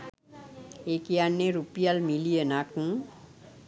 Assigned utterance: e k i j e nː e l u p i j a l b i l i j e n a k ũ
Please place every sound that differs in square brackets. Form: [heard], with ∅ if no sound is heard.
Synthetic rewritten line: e k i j [a] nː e [ɾ] u p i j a l [m] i l i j e n a k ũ